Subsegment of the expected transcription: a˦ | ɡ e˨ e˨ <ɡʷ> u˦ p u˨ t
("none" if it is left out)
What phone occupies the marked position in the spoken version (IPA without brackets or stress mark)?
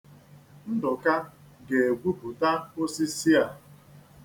ɡʷ